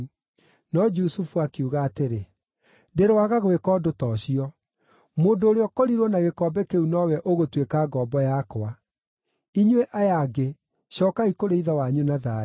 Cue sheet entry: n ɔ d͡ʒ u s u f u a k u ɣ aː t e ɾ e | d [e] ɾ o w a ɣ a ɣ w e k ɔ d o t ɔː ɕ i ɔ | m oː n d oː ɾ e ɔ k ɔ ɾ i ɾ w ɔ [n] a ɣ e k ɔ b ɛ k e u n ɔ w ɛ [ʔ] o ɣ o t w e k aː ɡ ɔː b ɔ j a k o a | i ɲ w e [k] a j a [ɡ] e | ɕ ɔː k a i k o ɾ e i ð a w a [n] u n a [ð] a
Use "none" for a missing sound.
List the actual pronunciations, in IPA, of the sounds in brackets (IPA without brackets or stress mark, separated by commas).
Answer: e, n, ʔ, ʔ, ɡ, ɲ, ð